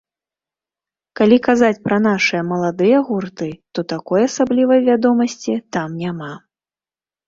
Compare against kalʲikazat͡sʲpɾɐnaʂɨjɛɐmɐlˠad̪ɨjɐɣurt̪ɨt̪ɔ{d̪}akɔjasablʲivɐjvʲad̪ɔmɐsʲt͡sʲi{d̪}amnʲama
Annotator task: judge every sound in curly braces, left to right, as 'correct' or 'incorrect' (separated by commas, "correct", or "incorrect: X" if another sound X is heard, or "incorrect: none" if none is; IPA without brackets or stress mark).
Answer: incorrect: t̪, incorrect: t̪